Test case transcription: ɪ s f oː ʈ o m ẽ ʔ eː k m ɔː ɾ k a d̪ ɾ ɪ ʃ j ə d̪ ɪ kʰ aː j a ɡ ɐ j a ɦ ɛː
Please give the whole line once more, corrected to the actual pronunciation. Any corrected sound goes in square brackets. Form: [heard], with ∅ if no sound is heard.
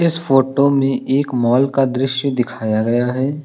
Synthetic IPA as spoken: ɪ s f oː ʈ o m ẽ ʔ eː k m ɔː [l] k a d̪ ɾ ɪ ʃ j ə d̪ ɪ kʰ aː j a ɡ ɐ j a ɦ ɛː